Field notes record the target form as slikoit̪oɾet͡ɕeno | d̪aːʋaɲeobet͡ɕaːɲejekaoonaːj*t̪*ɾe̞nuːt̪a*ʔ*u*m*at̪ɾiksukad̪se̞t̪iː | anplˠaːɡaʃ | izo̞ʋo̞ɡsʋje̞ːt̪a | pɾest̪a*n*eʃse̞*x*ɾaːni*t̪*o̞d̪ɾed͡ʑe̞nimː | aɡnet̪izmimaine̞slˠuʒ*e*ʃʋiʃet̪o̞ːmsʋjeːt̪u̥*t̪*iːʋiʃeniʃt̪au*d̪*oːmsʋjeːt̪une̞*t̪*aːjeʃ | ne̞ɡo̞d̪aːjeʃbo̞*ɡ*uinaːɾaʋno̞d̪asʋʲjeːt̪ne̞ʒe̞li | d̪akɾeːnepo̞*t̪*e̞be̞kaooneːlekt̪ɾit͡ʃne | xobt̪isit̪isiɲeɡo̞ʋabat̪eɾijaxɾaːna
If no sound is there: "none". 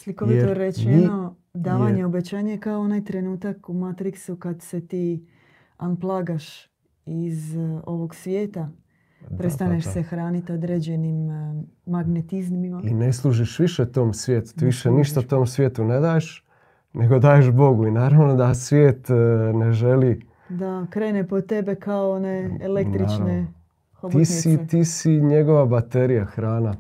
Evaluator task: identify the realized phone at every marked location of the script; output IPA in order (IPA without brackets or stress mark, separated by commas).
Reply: t̪, k, m, n, x, t̪, i, t̪, t̪, d̪, ɡ, t̪